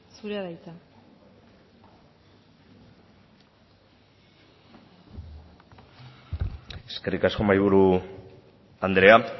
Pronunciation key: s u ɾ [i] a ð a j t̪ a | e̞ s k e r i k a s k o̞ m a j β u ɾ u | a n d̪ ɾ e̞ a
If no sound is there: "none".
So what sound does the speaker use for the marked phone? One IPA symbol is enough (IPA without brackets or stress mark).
e